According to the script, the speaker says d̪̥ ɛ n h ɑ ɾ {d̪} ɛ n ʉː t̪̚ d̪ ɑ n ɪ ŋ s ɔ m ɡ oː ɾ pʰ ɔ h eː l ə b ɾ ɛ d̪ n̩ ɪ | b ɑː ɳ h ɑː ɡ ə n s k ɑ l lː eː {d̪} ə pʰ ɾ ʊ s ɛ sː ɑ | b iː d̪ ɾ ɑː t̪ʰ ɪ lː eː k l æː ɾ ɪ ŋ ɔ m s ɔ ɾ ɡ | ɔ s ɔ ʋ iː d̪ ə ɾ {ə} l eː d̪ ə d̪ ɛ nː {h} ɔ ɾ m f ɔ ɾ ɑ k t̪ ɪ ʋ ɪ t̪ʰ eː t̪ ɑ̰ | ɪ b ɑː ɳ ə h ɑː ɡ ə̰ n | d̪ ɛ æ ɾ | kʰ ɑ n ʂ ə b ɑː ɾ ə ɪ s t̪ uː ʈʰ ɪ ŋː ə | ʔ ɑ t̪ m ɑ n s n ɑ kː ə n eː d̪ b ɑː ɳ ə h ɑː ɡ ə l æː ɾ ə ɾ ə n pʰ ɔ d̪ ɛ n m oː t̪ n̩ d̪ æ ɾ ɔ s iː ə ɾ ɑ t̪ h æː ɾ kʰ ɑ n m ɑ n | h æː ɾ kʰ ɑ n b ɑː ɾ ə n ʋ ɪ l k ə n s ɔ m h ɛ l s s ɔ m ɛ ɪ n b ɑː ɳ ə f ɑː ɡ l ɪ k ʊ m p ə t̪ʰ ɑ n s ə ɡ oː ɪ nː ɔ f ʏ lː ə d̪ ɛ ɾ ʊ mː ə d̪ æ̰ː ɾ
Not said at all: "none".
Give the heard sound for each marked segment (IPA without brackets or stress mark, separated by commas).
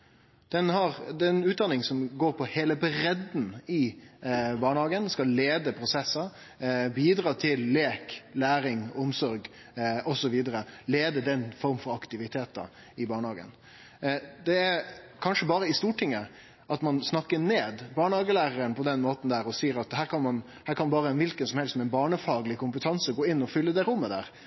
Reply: d̪, d̪, ə, f